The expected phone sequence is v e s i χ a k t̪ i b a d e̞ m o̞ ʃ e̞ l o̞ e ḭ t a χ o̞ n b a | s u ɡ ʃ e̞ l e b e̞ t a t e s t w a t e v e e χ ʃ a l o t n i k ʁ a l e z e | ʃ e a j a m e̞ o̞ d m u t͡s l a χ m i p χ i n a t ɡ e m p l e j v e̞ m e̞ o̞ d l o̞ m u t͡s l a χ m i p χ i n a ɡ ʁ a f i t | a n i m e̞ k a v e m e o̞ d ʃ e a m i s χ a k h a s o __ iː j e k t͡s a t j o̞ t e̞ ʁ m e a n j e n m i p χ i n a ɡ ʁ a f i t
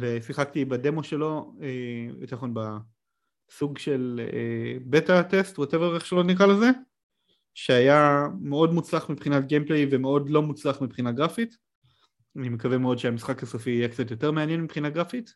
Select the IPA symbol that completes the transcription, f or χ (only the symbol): f